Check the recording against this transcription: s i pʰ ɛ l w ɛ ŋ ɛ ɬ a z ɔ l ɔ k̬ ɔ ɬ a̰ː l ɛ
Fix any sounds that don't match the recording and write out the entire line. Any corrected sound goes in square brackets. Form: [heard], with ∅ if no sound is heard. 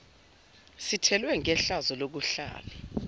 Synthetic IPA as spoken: s i [tʰ] ɛ l w ɛ ŋ ɛ ɬ a z ɔ l [o] k̬ [u] ɬ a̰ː l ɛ

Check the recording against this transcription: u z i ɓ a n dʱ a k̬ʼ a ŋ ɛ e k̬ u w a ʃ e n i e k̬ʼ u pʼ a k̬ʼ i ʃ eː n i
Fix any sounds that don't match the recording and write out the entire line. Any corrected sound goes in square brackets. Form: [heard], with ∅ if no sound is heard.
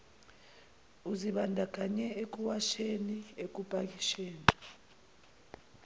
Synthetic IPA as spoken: u z i ɓ a n dʱ a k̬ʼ a [ɲ] ɛ e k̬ u w a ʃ e n i e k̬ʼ u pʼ a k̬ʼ i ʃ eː n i

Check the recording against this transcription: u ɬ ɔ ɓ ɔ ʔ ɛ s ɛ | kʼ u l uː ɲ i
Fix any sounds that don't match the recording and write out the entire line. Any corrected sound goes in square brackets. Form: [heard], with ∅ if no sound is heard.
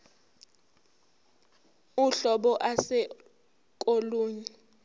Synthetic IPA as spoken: u ɬ ɔ ɓ ɔ ʔ [a] s ɛ | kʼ [o] l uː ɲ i

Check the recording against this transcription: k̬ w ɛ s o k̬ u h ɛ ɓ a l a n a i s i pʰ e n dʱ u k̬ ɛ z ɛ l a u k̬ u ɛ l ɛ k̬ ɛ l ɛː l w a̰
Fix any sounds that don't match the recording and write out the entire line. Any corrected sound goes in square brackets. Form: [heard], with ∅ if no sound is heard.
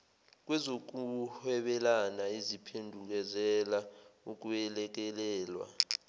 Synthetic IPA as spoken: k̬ w ɛ [z] o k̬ u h ɛ ɓ [ɛ] l a n a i [z] i pʰ e n dʱ u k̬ ɛ z ɛ l a u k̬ u ɛ l ɛ k̬ ɛ l ɛː l w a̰

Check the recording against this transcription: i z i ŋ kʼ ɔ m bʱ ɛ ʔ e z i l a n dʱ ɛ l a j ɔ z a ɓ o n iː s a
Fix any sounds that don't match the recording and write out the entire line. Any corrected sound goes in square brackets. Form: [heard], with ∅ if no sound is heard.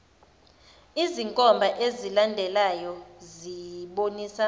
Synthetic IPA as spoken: i z i ŋ kʼ ɔ m bʱ [a] ʔ e z i l a n dʱ ɛ l a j ɔ z [i] ɓ o n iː s a

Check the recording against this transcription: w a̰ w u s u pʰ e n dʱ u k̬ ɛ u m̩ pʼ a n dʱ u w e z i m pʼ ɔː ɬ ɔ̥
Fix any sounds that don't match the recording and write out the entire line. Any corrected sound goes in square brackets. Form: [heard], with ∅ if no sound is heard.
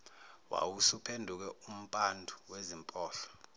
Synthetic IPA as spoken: w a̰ w u s u pʰ e n dʱ u k̬ ɛ u m̩ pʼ a n dʱ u w e z i m pʼ ɔː ɬ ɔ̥

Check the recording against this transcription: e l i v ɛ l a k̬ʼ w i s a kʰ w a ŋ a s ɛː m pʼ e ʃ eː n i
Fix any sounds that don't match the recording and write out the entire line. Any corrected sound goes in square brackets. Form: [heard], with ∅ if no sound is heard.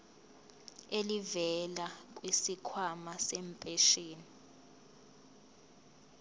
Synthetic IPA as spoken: e l i v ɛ l a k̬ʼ w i s [i] kʰ w a [m] a s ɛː m pʼ e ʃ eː n i

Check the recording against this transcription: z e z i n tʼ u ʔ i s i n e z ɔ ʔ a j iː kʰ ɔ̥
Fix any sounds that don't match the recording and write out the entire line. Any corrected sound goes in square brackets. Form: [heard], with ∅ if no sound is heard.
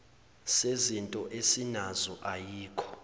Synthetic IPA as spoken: [s] e z i n tʼ [ɔ] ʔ [e] s i n [a] z ɔ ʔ a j iː kʰ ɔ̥

